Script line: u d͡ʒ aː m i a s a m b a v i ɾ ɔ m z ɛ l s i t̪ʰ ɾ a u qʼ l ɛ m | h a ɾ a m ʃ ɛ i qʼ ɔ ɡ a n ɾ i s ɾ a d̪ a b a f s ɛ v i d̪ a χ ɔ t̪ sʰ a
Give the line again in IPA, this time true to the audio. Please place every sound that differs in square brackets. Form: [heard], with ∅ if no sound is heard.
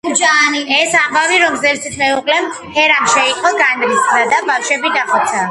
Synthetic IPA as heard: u d͡ʒ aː [n] i [ɛ] s a m b a v i ɾ ɔ m z ɛ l s i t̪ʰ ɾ [ɛ] u qʼ l ɛ m | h [ɛ] ɾ a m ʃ ɛ i qʼ ɔ ɡ a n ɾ i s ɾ a d̪ a b a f [ʃ] ɛ [b] i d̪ a χ ɔ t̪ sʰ a

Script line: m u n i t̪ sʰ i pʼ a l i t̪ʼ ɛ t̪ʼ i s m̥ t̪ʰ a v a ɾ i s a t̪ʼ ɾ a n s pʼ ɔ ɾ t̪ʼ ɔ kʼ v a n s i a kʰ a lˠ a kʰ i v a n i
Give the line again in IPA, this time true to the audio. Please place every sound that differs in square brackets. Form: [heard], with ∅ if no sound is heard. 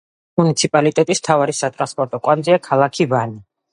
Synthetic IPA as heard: m u n i t̪ sʰ i pʼ a l i t̪ʼ ɛ t̪ʼ i s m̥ t̪ʰ a v a ɾ i s a t̪ʼ ɾ a n s pʼ ɔ ɾ t̪ʼ ɔ kʼ [w] a n [z] i a kʰ a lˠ a kʰ i v a n i

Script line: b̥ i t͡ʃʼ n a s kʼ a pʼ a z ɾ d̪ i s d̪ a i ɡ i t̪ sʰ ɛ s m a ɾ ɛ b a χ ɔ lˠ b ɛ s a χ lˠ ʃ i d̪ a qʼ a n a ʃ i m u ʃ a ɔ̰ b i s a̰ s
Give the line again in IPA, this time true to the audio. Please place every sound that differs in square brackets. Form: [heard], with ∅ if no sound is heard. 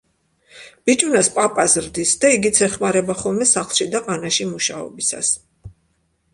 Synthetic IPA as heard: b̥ i t͡ʃʼ n a s [pʼ] a pʼ a z ɾ d̪ i s d̪ a i ɡ i t̪ sʰ ɛ [χ] m a ɾ ɛ b a χ ɔ lˠ [m] ɛ s a χ lˠ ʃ i d̪ a qʼ a n a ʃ i m u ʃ a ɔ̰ b i s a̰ s

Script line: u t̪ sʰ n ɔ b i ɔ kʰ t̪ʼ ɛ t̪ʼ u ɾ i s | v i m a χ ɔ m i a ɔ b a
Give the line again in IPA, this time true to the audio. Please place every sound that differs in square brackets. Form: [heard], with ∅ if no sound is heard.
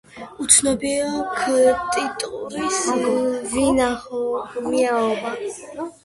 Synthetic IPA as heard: u t̪ sʰ n ɔ b i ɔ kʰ t̪ʼ [i] t̪ʼ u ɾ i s | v i [n] a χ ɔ m i a ɔ b a

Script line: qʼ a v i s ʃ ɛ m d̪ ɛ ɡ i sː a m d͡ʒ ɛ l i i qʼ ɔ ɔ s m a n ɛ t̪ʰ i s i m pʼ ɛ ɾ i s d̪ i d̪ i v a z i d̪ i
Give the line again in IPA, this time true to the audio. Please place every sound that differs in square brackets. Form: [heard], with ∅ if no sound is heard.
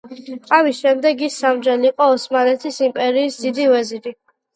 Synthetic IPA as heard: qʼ a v i s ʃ ɛ m d̪ ɛ ɡ i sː a m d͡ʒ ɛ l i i qʼ ɔ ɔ s m a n ɛ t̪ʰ i s i m pʼ ɛ ɾ [iː] s d̪ i d̪ i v [ɛ] z i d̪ i

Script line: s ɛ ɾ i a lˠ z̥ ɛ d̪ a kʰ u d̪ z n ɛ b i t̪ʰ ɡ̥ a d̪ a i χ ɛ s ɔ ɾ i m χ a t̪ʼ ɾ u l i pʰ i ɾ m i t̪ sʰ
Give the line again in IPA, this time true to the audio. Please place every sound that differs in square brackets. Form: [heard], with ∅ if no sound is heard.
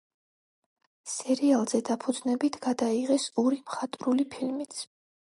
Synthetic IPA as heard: s ɛ ɾ i a lˠ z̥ ɛ d̪ a [pʰ] u d̪ z n ɛ b i t̪ʰ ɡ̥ a d̪ a i [ʁ] ɛ s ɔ ɾ i m χ a t̪ʼ ɾ u l i pʰ i [l] m i t̪ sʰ

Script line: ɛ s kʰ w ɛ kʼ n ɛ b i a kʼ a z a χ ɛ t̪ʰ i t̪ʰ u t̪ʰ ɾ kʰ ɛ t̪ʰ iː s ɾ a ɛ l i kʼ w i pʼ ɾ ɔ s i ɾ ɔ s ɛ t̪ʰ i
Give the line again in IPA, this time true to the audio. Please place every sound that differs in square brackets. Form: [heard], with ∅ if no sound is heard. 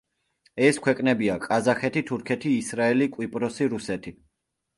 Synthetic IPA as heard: ɛ s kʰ w ɛ kʼ n ɛ b i a kʼ a z a χ ɛ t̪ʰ i t̪ʰ u [∅] ɾ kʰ ɛ t̪ʰ iː s ɾ a ɛ l i kʼ w i pʼ ɾ ɔ s i ɾ [u] s ɛ t̪ʰ i

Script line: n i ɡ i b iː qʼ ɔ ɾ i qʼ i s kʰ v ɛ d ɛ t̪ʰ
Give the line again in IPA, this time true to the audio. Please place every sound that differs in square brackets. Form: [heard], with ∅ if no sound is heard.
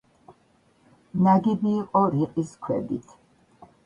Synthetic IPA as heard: n [a] ɡ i b iː qʼ ɔ ɾ i qʼ i s kʰ [w] ɛ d [i] t̪ʰ

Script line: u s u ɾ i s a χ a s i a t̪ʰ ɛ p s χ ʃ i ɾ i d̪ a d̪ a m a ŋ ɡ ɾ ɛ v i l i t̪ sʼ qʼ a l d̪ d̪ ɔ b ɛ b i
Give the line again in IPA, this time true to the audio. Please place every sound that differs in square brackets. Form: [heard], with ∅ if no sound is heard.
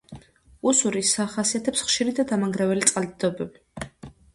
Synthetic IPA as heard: u s u ɾ i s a χ a s i a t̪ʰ ɛ p s χ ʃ i ɾ i d̪ a d̪ a m a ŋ ɡ ɾ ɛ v [ɛ] l i t̪ sʼ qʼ a l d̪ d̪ ɔ b ɛ b i

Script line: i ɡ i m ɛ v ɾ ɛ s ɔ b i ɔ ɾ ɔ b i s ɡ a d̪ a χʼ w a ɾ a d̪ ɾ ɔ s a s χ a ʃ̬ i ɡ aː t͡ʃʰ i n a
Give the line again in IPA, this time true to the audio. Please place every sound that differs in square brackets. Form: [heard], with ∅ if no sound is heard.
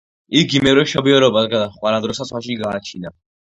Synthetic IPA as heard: i ɡ i m ɛ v ɾ ɛ [ʃ] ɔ b i ɔ ɾ ɔ b [a] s ɡ a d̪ a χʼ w a ɾ a d̪ ɾ ɔ s a s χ a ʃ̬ i ɡ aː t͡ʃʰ i n a

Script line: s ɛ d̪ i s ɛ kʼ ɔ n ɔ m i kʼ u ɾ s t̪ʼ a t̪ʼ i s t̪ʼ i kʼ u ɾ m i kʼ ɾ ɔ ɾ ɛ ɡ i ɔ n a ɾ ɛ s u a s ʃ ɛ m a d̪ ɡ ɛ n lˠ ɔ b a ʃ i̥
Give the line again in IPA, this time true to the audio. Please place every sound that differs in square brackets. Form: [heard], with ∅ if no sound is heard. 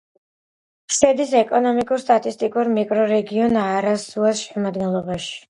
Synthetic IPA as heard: s ɛ d̪ i s ɛ kʼ ɔ n ɔ m i kʼ u ɾ s t̪ʼ a t̪ʼ i s t̪ʼ i kʼ u ɾ m i kʼ ɾ ɔ ɾ ɛ ɡ i ɔ n a ɾ [a] s u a s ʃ ɛ m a d̪ ɡ ɛ n lˠ ɔ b a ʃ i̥

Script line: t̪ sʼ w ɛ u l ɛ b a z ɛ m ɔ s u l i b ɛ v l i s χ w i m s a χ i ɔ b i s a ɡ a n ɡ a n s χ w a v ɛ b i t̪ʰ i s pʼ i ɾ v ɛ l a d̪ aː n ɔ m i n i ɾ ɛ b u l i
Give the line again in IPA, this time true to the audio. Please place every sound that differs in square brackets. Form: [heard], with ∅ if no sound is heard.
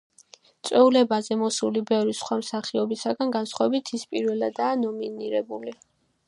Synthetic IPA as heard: t̪ sʼ w ɛ u l ɛ b a z ɛ m ɔ s u l i b ɛ v [ɾ] i s χ w [a] m s a χ i ɔ b i s a ɡ a n ɡ a n s χ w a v ɛ b i t̪ʰ i s pʼ i ɾ v ɛ l a d̪ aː n ɔ m i n i ɾ ɛ b u l i

